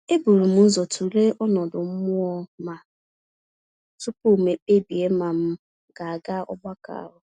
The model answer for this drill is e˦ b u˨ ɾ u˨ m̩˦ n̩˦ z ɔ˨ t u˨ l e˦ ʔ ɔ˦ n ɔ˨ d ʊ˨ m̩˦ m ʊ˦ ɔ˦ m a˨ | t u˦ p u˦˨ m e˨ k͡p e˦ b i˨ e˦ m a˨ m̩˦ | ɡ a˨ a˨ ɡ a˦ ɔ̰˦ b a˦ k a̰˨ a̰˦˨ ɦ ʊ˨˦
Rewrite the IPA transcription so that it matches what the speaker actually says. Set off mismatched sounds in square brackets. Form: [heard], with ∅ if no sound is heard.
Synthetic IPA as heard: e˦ b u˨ ɾ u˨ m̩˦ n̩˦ z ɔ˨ t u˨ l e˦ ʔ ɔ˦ n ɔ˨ d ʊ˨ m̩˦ m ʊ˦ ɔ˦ m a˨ | t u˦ p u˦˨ m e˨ k͡p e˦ b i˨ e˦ m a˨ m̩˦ | ɡ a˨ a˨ ɡ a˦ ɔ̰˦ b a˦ k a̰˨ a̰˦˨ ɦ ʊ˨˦